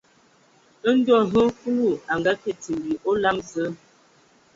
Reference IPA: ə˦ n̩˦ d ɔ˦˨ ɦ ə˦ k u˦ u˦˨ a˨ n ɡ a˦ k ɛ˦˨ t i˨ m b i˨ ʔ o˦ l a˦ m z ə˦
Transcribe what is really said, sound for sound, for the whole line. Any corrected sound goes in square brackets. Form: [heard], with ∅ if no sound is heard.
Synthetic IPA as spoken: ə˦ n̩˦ d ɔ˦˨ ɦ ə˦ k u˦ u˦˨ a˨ [ŋ] ɡ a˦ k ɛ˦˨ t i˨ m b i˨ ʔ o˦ l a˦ m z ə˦